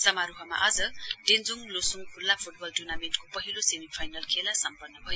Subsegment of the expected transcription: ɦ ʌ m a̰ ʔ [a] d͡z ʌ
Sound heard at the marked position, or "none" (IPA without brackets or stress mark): ʌ